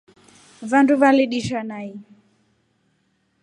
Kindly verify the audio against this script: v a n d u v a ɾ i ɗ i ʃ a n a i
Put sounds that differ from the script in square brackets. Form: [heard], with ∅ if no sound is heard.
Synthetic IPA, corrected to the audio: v a n d u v a [l] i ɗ i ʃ a n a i